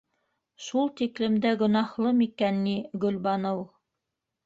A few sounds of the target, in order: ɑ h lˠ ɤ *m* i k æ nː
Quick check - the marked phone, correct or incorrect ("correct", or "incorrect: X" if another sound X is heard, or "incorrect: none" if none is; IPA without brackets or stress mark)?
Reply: correct